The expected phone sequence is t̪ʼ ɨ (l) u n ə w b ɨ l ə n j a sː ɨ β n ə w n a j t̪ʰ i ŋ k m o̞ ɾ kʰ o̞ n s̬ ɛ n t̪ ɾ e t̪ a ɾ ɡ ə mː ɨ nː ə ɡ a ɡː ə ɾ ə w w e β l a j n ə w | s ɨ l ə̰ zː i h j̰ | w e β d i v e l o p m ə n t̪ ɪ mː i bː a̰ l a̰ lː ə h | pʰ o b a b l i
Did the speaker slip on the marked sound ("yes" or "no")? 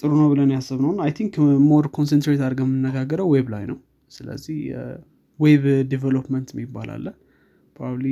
yes